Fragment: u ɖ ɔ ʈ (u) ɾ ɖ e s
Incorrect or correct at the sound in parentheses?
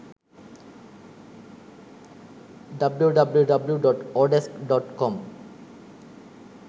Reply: incorrect: ɔ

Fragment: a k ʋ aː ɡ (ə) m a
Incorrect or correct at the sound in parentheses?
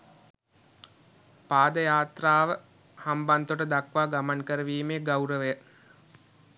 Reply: incorrect: a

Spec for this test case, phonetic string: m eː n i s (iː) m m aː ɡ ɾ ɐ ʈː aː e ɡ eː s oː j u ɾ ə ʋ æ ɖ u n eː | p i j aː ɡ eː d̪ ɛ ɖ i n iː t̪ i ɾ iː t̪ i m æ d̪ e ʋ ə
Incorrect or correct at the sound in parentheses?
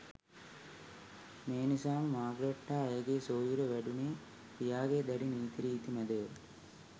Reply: incorrect: aː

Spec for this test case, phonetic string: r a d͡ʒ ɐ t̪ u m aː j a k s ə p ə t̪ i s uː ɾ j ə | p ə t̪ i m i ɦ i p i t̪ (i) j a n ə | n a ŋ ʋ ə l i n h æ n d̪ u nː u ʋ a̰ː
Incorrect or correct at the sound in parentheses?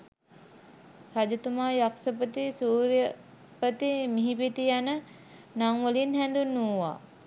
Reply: correct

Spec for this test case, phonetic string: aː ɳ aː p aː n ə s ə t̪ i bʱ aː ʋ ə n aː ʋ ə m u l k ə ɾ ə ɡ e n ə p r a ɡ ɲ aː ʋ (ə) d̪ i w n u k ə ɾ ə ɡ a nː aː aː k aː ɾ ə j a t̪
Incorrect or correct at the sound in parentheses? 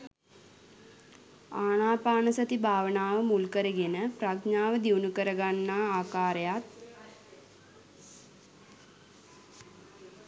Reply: correct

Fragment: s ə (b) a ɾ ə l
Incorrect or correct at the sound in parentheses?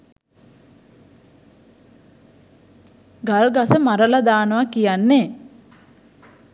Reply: incorrect: m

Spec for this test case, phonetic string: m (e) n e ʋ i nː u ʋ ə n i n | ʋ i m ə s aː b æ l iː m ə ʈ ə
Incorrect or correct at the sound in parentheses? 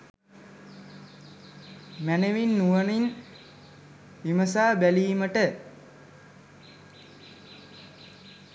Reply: incorrect: æ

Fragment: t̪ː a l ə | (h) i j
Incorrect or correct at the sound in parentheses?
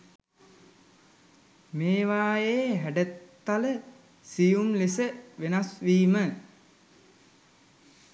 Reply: incorrect: s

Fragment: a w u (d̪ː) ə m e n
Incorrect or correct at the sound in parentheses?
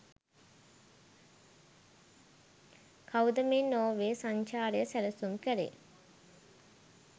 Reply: incorrect: d̪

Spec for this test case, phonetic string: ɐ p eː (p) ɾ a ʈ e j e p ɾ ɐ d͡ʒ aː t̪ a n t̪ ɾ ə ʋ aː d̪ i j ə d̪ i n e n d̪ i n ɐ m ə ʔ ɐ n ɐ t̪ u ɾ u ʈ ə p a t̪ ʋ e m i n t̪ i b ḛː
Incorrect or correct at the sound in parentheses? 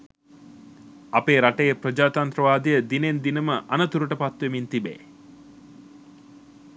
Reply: incorrect: none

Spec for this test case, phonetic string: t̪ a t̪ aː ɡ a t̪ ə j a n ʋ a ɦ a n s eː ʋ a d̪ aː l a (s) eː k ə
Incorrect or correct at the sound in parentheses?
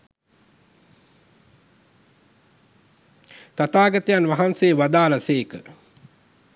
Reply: correct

